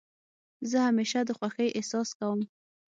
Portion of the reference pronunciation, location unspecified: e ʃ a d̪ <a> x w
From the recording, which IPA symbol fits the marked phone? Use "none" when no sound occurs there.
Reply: ə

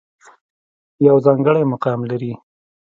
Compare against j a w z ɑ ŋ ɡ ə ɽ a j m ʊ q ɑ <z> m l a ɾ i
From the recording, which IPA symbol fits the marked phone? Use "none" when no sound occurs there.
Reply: none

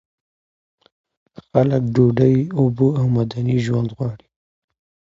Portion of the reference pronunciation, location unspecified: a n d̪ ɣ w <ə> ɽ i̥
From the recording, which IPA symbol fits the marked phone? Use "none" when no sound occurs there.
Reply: ɑ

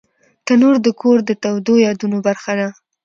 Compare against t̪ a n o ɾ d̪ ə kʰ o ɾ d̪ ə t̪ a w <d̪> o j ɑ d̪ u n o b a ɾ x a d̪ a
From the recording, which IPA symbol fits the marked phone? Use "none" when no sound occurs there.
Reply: d̪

